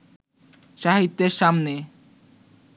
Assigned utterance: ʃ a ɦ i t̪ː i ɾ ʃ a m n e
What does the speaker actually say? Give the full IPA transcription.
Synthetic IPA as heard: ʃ a ɦ i t̪ː e ɾ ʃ a m n e